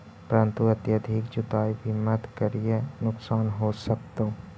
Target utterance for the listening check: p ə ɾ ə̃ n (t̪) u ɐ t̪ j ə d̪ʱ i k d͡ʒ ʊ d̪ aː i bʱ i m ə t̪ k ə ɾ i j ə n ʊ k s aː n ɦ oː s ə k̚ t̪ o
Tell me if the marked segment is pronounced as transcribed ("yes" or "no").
yes